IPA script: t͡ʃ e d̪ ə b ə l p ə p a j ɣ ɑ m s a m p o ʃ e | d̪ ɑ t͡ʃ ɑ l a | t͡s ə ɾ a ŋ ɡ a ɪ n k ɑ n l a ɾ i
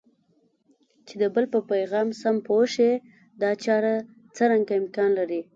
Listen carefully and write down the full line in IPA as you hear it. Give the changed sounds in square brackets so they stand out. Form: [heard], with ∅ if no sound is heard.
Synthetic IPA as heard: t͡ʃ e d̪ ə b ə l p ə p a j ɣ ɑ m s a m p o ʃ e | d̪ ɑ t͡ʃ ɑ [ɾ] a | t͡s ə ɾ a ŋ ɡ a ɪ [m] k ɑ n l a ɾ i